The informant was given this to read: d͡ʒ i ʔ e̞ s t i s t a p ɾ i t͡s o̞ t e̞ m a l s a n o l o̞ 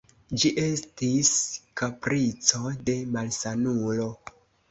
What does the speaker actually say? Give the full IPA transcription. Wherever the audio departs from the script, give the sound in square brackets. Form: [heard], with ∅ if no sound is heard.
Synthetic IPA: d͡ʒ i ʔ e̞ s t i s [k] a p ɾ i t͡s o̞ [d] e̞ m a l s a n [u] l o̞